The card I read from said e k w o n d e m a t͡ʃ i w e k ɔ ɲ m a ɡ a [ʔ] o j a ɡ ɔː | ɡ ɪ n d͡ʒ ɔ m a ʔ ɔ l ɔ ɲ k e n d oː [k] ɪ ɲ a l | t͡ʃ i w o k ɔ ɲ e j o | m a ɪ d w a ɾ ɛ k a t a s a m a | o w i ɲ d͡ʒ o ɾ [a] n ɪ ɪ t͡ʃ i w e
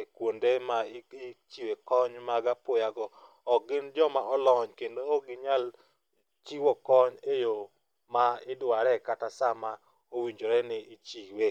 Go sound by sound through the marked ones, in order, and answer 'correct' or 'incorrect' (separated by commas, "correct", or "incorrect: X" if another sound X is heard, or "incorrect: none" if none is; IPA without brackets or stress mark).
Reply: incorrect: p, incorrect: ɡ, incorrect: ɛ